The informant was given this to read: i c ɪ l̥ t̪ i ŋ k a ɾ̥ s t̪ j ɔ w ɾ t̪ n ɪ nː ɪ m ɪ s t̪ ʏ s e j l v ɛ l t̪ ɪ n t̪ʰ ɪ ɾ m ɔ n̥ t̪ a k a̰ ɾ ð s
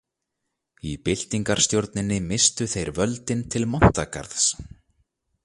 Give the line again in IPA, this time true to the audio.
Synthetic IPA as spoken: i p ɪ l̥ t̪ i ŋ k a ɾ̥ s t̪ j o w ɾ t̪ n ɪ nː ɪ m ɪ s t̪ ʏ θ e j ɾ v œ l t̪ ɪ n t̪ʰ ɪ l m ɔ n̥ t̪ a k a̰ ɾ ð s